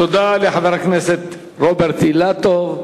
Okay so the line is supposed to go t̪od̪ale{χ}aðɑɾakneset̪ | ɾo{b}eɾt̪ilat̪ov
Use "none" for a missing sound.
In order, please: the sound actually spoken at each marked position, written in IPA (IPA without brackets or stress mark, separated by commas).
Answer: ħ, b